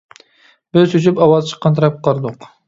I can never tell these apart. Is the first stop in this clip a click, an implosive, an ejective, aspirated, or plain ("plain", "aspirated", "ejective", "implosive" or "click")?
plain